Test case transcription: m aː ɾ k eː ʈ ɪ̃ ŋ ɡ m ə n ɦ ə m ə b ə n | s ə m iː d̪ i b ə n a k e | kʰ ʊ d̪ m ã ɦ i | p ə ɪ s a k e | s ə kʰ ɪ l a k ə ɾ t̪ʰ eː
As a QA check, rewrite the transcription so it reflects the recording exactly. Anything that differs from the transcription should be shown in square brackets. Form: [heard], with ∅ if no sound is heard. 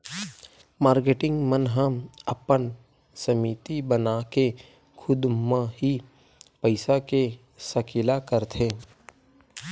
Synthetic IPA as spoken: m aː ɾ k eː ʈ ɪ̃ ŋ ɡ m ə n ɦ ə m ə [p] ə n | s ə m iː [t̪] i b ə n a k e | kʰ ʊ d̪ m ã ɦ i | p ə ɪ s a k e | s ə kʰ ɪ l a k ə ɾ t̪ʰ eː